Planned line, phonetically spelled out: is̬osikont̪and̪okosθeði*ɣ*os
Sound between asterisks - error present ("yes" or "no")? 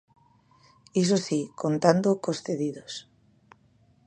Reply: yes